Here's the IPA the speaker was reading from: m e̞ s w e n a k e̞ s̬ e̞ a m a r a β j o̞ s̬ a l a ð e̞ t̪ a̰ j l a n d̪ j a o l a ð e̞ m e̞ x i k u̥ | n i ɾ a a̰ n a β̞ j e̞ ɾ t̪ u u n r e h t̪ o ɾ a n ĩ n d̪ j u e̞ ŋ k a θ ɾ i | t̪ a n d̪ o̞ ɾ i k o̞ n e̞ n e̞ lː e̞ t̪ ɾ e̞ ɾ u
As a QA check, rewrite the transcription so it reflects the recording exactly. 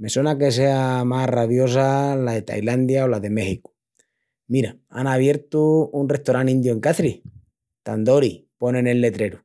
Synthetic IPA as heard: m e̞ s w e n a k e̞ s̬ e̞ a m a r a β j o̞ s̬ a l a ð e̞ t̪ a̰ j l a n d̪ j a o l a ð e̞ m e̞ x i k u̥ | m i ɾ a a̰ n a β̞ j e̞ ɾ t̪ u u n r e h t̪ o ɾ a n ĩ n d̪ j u e̞ ŋ k a θ ɾ i | t̪ a n d̪ o̞ ɾ i p o̞ n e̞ n e̞ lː e̞ t̪ ɾ e̞ ɾ u